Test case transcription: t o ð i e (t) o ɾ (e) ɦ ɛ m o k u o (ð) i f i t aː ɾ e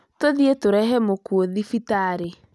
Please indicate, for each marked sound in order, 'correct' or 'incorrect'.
correct, incorrect, correct

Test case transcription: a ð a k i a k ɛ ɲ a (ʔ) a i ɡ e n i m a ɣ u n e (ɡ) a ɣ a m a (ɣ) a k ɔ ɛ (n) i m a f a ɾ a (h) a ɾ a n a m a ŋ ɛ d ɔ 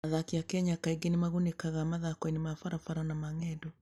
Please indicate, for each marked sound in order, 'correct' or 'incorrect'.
incorrect, incorrect, incorrect, correct, incorrect

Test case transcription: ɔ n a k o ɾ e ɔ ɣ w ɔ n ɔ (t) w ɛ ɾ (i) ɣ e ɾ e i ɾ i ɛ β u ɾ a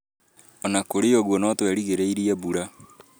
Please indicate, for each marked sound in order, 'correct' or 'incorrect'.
correct, correct

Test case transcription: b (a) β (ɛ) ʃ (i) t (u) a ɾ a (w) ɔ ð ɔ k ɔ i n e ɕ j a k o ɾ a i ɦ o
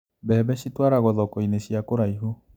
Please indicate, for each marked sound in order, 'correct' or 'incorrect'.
incorrect, correct, correct, incorrect, incorrect

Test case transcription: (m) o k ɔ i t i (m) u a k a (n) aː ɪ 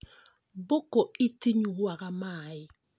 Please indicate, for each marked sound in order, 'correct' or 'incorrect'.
incorrect, incorrect, incorrect

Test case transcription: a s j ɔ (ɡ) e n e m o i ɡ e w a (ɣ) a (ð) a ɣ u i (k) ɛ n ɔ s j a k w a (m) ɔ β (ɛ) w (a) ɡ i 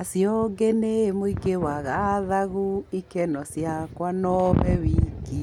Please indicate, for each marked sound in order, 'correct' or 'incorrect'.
correct, correct, correct, correct, incorrect, correct, incorrect

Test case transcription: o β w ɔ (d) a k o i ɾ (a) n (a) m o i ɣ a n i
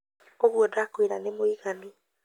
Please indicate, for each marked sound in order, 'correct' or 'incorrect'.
correct, correct, incorrect

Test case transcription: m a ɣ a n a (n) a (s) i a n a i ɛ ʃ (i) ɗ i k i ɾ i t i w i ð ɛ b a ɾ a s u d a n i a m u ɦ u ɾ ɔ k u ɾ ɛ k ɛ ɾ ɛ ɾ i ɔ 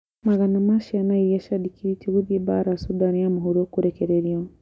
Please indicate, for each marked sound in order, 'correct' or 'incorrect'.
incorrect, incorrect, incorrect

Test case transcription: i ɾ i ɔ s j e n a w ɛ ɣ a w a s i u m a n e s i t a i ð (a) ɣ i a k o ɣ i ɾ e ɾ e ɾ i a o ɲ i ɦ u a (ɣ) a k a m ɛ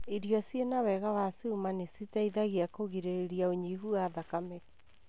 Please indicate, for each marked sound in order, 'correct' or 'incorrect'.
correct, incorrect

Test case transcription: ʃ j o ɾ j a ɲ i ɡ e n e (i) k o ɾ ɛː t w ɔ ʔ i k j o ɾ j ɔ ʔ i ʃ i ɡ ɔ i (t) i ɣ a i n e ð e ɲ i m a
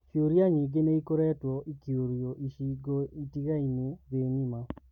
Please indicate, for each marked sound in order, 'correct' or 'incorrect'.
correct, correct

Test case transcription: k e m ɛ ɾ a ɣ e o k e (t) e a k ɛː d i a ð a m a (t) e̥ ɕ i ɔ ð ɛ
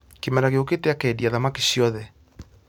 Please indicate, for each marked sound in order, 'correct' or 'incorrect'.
correct, incorrect

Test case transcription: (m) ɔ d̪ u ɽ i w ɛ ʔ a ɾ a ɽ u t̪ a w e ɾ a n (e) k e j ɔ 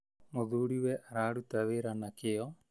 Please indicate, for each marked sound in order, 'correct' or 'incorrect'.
correct, incorrect

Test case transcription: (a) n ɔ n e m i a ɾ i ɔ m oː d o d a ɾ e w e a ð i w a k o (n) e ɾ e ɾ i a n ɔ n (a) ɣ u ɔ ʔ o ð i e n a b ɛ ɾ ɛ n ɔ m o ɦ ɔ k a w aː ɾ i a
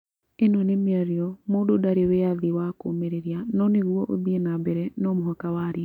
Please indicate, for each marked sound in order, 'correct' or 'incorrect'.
incorrect, incorrect, incorrect

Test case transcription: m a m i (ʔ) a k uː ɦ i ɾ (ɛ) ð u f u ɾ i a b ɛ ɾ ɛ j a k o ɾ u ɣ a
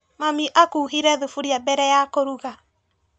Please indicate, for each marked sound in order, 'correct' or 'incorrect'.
correct, correct

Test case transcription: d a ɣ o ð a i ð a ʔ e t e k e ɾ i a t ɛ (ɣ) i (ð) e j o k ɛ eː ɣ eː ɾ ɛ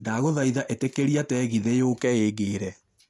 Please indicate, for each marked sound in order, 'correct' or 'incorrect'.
correct, correct

